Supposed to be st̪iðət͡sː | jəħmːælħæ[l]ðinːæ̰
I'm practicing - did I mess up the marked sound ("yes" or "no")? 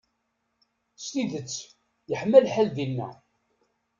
no